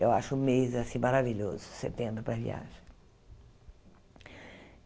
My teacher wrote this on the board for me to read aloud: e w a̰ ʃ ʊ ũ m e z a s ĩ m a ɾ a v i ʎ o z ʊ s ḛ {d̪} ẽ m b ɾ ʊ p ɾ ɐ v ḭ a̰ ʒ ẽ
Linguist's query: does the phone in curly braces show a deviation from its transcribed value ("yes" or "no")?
yes